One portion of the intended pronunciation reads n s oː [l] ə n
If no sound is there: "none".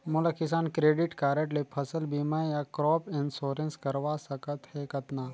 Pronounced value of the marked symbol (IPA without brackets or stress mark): ɾ